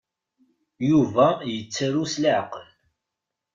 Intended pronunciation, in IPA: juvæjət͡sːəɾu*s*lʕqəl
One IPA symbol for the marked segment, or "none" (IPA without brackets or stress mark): s